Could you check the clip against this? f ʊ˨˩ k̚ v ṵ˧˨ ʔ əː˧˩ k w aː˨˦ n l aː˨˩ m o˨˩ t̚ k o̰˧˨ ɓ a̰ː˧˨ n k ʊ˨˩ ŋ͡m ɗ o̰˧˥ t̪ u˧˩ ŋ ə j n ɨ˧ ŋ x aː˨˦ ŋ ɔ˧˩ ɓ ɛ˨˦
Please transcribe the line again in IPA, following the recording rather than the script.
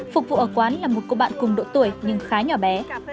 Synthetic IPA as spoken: f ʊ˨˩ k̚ v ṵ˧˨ ʔ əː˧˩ k w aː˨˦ n l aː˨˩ m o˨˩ t̚ k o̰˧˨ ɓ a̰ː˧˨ n k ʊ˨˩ ŋ͡m ɗ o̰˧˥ t̪ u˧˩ ə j ɲ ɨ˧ ŋ x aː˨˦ ɲ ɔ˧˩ ɓ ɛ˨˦

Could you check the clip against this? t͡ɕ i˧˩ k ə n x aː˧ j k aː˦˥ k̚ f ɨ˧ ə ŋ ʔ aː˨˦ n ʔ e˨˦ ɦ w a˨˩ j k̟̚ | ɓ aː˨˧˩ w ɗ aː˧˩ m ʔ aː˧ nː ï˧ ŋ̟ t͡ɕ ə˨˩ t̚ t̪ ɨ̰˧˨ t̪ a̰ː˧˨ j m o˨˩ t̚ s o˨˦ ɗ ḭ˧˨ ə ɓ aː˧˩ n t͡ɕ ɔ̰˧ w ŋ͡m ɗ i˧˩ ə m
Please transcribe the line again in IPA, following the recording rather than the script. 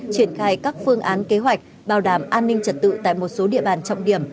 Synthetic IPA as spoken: t͡ɕ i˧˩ ə n x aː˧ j k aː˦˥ k̚ f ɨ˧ ə ŋ ʔ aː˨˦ n k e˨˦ ɦ w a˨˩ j k̟̚ | ɓ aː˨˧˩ w ɗ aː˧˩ m ʔ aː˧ nː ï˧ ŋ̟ t͡ɕ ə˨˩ t̚ t̪ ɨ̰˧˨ t̪ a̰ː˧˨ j m o˨˩ t̚ s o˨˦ ɗ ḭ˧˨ ə ɓ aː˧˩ n t͡ɕ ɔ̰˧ w ŋ͡m ɗ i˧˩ ə m

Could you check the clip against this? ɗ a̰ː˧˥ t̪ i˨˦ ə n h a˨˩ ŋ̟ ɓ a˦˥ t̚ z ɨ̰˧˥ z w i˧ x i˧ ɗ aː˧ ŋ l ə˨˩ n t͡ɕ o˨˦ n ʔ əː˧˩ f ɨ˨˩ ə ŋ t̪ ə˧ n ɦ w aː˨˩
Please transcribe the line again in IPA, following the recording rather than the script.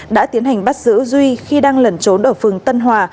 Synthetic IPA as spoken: ɗ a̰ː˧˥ t̪ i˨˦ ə n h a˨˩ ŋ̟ ɓ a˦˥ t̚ z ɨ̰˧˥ z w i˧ x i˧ ɗ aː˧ ŋ l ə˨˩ n t͡ɕ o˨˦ n ʔ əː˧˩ f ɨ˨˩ ə ŋ t̪ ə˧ n ɦ w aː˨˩

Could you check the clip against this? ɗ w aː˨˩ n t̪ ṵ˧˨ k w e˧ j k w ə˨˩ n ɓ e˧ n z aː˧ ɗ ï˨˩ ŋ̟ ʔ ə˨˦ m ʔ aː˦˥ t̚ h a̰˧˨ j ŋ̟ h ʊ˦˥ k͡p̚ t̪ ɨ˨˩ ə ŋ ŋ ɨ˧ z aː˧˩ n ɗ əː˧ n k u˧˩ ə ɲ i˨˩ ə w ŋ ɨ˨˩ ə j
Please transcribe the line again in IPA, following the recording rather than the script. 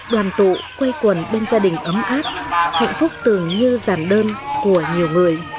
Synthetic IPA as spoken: ɗ w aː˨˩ n t̪ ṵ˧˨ k w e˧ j k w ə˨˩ n ɓ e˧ n z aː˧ ɗ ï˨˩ ŋ̟ ʔ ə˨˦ m ʔ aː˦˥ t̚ h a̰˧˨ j ŋ̟ f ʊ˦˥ k͡p̚ t̪ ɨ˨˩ ə ŋ ɲ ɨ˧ z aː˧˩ n ɗ əː˧ n k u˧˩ ə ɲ i˨˩ ə w ŋ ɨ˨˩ ə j

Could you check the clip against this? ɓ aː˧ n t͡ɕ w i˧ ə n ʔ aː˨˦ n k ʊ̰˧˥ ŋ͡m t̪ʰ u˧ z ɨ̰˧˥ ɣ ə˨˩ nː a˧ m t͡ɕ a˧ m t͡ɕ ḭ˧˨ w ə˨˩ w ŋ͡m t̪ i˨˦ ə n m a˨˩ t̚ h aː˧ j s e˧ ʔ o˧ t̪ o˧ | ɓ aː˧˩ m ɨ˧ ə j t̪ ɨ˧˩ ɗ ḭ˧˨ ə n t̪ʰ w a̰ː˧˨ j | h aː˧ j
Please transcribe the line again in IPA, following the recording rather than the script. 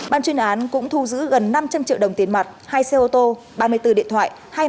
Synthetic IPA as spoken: ɓ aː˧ n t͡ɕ w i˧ ə n ʔ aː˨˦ n k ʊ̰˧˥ ŋ͡m t̪ʰ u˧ z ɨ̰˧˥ ɣ ə˨˩ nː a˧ m t͡ɕ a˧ m t͡ɕ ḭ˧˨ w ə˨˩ w ŋ͡m t̪ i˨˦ ə n m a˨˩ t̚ h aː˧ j s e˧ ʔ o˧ t̪ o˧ | ɓ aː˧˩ m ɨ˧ ə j t̪ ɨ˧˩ ɗ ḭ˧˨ ə n t̪ʰ w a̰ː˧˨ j | h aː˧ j

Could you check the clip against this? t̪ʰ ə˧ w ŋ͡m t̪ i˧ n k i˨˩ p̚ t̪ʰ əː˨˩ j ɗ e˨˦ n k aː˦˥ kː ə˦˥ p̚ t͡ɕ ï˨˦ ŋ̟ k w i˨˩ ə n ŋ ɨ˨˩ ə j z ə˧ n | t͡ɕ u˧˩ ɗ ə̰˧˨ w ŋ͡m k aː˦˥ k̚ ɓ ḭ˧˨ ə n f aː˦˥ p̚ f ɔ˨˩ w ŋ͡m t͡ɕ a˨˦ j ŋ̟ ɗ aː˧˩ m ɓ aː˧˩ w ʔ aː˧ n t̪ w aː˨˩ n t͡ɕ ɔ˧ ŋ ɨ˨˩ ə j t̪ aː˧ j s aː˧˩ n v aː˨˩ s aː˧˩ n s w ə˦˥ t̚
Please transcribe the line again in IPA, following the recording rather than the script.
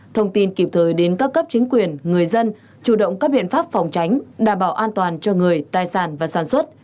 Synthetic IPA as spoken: t̪ʰ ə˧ w ŋ͡m t̪ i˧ n k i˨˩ p̚ t̪ʰ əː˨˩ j ɗ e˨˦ n k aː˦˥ kː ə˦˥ p̚ t͡ɕ ï˨˦ ŋ̟ k w i˨˩ ə n ŋ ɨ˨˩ ə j z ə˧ n | t͡ɕ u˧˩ ɗ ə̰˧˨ w ŋ͡m k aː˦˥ k̚ ɓ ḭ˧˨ ə n f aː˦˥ p̚ f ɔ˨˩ w ŋ͡m t͡ɕ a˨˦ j ŋ̟ ɗ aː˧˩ m ɓ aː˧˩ w ʔ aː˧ n t̪ w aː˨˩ n t͡ɕ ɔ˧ ŋ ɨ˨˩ ə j t̪ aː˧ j s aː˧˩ n v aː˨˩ s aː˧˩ n s w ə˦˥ t̚

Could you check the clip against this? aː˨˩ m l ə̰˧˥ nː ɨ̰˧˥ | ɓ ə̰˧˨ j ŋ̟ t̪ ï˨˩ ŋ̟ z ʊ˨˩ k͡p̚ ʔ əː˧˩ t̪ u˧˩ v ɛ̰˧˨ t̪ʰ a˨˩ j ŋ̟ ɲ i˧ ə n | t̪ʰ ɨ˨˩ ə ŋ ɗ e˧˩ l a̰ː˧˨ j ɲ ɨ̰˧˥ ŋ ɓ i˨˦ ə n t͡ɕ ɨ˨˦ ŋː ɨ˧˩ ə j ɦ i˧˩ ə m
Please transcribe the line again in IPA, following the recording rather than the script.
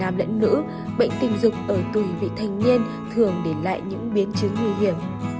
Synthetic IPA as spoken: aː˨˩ m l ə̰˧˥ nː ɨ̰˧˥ | ɓ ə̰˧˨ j ŋ̟ t̪ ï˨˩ ŋ̟ z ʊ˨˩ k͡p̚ ʔ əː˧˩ t̪ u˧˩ v ḭ˧˨ t̪ʰ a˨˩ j ŋ̟ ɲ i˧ ə n | t̪ʰ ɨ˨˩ ə ŋ ɗ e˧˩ l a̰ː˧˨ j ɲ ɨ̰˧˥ ŋ ɓ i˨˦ ə n t͡ɕ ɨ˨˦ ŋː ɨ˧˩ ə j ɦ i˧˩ ə m

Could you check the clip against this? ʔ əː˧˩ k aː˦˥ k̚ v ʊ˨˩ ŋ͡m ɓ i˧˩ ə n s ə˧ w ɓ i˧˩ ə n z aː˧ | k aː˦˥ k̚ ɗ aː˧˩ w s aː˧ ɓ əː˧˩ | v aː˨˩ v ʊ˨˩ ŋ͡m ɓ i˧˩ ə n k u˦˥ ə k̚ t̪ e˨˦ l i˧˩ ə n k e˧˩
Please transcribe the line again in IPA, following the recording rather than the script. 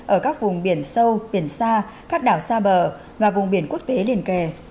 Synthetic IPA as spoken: ʔ əː˧˩ k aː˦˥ k̚ v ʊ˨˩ ŋ͡m ɓ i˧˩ ə n s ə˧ w ɓ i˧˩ ə n s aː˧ | k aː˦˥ k̚ ɗ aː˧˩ w s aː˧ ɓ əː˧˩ | v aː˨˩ v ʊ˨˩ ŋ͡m ɓ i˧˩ ə n k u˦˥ ə k̚ t̪ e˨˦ l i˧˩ ə n k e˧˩

